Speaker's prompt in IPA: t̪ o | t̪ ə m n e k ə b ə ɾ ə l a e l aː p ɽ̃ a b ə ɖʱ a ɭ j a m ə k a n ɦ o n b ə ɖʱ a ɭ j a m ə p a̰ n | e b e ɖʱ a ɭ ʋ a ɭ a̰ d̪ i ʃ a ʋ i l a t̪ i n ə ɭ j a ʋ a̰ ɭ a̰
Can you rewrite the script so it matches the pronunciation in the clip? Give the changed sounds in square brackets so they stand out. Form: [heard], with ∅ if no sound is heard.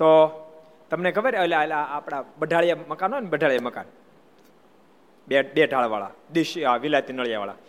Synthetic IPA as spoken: t̪ o | t̪ ə m n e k ə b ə ɾ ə l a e l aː p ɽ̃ a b ə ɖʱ a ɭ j a m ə k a n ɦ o n b ə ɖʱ a ɭ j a m ə [k] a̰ n | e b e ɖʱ a ɭ ʋ a ɭ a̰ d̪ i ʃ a ʋ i l a t̪ i n ə ɭ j a ʋ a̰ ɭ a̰